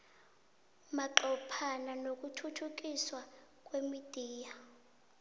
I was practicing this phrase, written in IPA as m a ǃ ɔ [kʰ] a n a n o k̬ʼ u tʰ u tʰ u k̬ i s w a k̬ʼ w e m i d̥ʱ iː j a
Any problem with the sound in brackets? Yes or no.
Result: yes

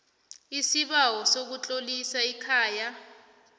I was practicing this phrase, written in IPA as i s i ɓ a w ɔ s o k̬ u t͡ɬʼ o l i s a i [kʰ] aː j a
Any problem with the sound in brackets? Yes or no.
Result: no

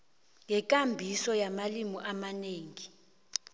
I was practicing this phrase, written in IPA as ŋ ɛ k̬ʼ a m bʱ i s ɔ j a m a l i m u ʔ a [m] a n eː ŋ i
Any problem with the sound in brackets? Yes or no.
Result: no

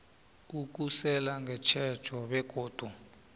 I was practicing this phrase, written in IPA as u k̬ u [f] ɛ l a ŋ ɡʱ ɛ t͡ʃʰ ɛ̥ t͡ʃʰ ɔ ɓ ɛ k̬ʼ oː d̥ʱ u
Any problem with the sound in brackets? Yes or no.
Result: yes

